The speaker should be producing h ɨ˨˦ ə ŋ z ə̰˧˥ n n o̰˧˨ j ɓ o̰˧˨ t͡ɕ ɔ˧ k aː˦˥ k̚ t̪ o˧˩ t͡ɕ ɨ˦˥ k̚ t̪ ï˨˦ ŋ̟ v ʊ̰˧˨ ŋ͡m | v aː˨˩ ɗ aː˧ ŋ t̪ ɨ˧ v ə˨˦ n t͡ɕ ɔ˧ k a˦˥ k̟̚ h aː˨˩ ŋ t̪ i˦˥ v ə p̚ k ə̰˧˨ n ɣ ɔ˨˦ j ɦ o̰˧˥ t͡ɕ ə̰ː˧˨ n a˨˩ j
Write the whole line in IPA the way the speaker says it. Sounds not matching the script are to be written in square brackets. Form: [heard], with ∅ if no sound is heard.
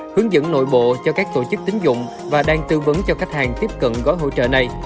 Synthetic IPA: h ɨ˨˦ ə ŋ z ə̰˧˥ n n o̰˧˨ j ɓ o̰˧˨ t͡ɕ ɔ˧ k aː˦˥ k̚ t̪ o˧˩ t͡ɕ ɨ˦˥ k̚ t̪ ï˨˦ ŋ̟ [z] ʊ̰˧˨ ŋ͡m | v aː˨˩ ɗ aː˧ ŋ t̪ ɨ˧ v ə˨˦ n t͡ɕ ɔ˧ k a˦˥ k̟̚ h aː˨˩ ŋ t̪ i˦˥ [∅] ə p̚ k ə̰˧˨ n ɣ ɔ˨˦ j ɦ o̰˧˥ t͡ɕ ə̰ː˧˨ n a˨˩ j